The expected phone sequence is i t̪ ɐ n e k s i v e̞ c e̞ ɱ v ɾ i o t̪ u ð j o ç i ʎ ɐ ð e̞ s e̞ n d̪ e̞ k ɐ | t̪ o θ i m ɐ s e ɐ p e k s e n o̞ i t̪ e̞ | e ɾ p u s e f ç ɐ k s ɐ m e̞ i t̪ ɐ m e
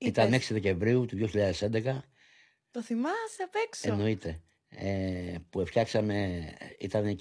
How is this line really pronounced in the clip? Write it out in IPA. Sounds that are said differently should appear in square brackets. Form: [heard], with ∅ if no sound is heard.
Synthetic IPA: i t̪ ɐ n e k s i [ð] e̞ c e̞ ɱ v ɾ i [u] t̪ u ð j o ç i ʎ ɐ ð e̞ s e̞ n d̪ e̞ k ɐ | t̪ o θ i m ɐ s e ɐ p e k s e n o̞ i t̪ e̞ | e [∅] p u [∅] e f ç ɐ k s ɐ m e̞ i t̪ ɐ [n] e